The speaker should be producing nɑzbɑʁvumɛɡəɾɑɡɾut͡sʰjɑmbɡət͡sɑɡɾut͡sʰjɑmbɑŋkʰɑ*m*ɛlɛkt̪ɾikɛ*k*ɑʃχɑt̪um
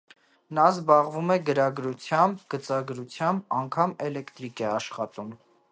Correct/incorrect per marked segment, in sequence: correct, incorrect

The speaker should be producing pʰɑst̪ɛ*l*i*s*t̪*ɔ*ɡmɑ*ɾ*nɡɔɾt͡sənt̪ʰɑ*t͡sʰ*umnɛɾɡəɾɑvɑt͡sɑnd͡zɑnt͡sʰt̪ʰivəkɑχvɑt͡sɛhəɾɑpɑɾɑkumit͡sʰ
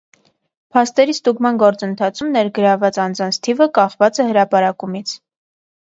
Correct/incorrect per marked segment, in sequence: incorrect, correct, incorrect, incorrect, correct

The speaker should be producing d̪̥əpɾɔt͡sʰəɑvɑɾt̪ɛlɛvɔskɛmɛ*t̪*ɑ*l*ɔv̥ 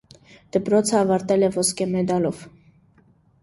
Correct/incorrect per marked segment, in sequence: incorrect, correct

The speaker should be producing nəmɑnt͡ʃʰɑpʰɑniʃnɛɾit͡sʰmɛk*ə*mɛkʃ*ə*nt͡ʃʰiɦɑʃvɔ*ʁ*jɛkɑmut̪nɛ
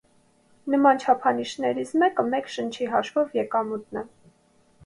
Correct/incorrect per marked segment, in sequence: correct, correct, incorrect

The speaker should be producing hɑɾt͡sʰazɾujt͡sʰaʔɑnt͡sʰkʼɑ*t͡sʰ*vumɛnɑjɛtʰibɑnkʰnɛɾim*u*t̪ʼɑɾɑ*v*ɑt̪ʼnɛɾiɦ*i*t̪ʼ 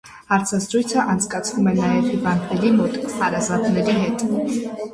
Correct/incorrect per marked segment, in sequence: correct, incorrect, incorrect, incorrect

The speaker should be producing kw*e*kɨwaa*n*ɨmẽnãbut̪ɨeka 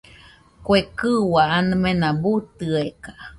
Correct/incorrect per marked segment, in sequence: correct, correct

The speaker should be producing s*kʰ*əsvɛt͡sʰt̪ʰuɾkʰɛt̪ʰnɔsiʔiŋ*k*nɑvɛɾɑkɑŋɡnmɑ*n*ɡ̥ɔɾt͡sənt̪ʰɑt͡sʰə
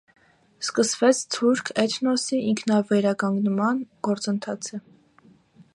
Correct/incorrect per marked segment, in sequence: incorrect, incorrect, correct

